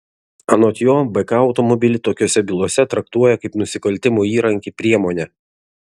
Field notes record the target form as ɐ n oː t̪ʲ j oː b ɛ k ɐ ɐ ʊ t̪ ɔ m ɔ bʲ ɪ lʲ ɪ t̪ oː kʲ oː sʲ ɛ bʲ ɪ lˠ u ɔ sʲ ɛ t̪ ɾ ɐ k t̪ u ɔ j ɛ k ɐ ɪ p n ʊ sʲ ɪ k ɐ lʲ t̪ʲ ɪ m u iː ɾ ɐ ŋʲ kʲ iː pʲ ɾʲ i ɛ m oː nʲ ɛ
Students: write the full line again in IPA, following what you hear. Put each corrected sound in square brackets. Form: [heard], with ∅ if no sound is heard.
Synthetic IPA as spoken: ɐ n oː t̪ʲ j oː b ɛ k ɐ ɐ ʊ t̪ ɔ m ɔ bʲ ɪ lʲ ɪ t̪ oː kʲ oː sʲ ɛ bʲ ɪ lˠ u ɔ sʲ ɛ t̪ ɾ ɐ k t̪ u ɔ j ɛ k ɐ ɪ p n ʊ sʲ ɪ k ɐ lʲ t̪ʲ ɪ m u iː ɾ ɐ ŋʲ kʲ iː pʲ ɾʲ i ɛ m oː nʲ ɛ